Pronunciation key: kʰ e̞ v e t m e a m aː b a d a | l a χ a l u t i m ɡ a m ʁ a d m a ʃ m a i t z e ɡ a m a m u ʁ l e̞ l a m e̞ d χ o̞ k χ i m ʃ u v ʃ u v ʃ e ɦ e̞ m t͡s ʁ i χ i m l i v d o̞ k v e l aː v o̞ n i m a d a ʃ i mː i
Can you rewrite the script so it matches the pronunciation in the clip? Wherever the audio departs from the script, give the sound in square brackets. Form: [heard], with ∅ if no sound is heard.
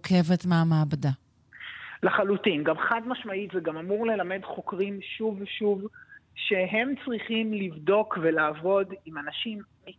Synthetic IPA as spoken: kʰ e̞ v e t m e a m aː b a d a | l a χ a l u t i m ɡ a m [χ] a d m a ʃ m a i t z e ɡ a m a m u ʁ l e̞ l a m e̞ d χ o̞ k [ʁ] i m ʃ u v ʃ u v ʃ e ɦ e̞ m t͡s ʁ i χ i m l i v d o̞ k v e l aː v o̞ [d] i m a [n] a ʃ i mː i